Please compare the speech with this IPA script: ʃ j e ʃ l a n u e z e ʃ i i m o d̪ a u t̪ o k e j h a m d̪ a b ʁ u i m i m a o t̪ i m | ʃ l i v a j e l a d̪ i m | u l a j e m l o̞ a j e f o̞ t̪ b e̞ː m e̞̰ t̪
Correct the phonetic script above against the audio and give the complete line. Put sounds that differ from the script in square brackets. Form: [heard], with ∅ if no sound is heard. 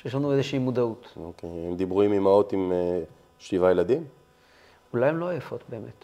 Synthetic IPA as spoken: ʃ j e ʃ l a n u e z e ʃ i i m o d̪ a u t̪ o k e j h [e] m d̪ [i] b ʁ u i m i m a o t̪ i m | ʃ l i v a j e l a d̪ i m | u l a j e m l o̞ a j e f o̞ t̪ b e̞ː m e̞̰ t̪